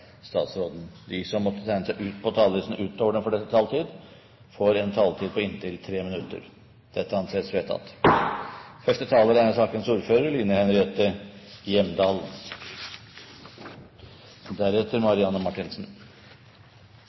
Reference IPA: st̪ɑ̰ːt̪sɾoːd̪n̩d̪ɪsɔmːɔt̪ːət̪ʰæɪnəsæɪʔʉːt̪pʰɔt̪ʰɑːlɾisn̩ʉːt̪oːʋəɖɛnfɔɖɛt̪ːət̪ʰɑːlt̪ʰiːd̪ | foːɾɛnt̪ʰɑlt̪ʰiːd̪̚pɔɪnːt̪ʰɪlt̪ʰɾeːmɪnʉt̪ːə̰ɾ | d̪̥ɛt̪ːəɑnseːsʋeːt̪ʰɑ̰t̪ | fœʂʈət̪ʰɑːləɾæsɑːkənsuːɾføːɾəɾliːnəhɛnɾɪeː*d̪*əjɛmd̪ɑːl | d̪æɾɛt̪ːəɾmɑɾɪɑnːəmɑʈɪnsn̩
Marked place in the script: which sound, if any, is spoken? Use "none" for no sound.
t̪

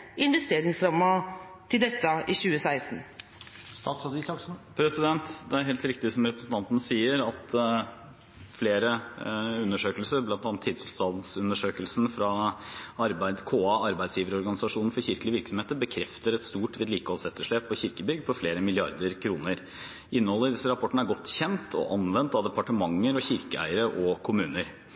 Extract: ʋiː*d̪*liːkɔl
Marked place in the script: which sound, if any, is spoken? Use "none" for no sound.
d̪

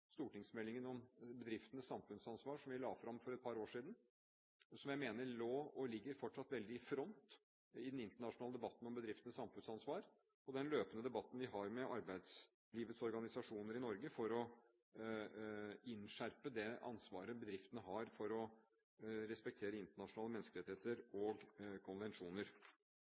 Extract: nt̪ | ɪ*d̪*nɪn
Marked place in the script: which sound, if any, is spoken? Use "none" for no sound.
d̪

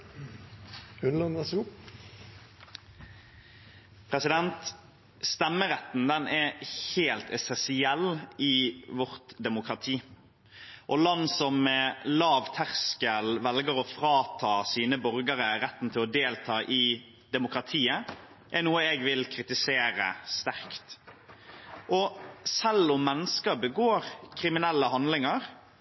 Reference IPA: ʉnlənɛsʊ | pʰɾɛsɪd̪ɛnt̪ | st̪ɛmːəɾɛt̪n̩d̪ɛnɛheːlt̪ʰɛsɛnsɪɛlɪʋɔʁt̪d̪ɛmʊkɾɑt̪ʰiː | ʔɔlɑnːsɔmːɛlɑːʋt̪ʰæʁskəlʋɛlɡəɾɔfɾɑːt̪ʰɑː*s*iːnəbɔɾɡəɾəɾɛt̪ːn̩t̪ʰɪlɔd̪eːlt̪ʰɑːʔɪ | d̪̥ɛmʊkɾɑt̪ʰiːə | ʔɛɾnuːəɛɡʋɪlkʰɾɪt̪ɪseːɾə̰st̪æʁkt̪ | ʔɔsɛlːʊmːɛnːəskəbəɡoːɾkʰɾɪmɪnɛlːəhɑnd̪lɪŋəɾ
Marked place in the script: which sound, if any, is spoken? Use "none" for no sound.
s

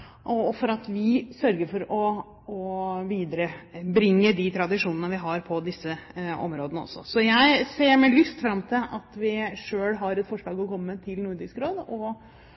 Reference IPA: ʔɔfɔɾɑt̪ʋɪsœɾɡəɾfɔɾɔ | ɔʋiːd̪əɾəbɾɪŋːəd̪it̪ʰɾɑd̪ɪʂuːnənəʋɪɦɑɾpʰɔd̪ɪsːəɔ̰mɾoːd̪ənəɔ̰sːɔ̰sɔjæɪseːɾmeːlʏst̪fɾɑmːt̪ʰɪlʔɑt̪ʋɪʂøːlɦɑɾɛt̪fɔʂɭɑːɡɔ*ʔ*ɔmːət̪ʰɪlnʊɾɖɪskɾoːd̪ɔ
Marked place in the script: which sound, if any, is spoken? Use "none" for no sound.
k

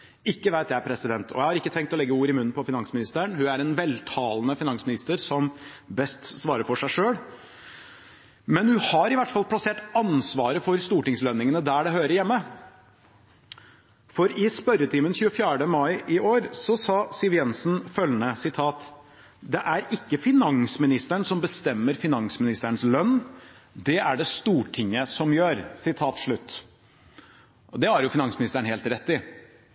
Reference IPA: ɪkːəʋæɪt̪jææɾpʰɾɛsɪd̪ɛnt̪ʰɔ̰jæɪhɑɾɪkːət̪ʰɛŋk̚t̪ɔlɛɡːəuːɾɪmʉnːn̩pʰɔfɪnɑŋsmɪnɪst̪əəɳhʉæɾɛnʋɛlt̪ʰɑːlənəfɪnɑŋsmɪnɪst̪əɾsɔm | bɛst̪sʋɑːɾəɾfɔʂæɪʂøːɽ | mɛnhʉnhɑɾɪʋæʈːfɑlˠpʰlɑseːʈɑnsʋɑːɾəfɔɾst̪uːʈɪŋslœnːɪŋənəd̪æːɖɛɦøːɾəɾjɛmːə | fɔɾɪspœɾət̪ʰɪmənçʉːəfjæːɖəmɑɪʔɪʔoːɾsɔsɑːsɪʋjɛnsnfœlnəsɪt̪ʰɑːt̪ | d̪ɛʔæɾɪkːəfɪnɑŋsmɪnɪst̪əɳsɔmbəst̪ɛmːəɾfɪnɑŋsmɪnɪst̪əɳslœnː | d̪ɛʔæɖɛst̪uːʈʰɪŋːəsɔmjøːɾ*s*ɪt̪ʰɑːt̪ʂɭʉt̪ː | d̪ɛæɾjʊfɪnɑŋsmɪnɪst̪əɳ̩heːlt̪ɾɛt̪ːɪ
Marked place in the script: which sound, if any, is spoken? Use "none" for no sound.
s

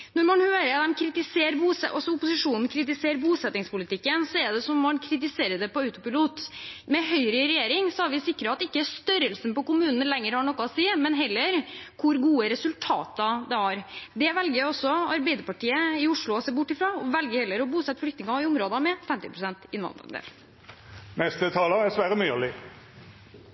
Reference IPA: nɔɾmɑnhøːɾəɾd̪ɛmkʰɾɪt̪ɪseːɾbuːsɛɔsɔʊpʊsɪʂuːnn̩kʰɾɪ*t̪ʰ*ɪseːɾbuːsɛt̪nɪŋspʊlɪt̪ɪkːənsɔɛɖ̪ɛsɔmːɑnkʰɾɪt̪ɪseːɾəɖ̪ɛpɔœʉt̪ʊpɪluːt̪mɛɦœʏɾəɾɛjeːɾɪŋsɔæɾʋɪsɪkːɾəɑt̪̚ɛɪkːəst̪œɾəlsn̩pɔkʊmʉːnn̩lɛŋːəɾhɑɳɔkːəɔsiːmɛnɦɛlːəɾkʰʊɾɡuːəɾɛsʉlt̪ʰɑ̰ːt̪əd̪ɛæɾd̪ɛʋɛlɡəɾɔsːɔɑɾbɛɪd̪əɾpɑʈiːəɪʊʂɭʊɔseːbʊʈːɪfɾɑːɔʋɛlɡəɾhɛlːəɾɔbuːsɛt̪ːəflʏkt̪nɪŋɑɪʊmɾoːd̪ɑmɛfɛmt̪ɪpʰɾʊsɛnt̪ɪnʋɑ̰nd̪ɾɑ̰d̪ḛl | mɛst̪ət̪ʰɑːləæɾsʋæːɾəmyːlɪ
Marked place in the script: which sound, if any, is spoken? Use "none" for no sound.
t̪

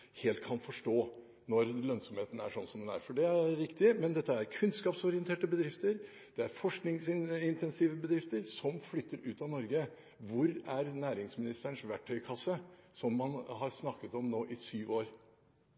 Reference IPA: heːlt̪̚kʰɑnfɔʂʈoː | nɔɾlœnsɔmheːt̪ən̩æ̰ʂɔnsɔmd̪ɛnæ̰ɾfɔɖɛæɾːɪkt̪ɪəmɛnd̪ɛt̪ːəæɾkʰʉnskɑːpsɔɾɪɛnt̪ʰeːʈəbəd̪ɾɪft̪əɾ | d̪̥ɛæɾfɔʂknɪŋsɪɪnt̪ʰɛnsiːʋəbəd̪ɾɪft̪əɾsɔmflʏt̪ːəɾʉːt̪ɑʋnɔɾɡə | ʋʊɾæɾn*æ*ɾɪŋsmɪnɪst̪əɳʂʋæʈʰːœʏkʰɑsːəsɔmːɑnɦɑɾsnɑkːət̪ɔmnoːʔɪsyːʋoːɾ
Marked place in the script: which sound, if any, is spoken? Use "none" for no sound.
æː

